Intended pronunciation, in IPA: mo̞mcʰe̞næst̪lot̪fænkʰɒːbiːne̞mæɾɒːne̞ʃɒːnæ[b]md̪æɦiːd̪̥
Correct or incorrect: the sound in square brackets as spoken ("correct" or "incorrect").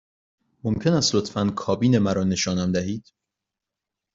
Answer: incorrect